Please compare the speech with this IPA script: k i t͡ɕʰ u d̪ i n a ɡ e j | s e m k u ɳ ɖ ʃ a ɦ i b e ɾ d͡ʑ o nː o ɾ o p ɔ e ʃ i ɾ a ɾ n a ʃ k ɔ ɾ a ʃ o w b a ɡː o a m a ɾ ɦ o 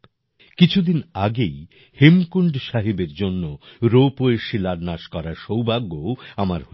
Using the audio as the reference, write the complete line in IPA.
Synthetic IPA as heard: k i t͡ɕʰ u d̪ i n a ɡ e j | h e m k u ɳ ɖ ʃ a ɦ i b e ɾ d͡ʑ o nː o ɾ o p o e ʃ i l a ɾ n a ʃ k ɔ ɾ a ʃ o w b a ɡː o a m a ɾ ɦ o